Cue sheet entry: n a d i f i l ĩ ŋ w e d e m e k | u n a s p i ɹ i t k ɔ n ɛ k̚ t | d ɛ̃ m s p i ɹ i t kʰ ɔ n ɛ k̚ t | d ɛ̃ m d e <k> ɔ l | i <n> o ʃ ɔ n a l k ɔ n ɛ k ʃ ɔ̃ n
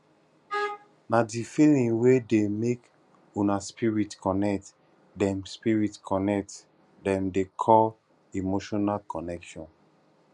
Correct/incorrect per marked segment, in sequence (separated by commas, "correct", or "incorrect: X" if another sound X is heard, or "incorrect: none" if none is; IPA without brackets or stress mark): incorrect: kʰ, incorrect: m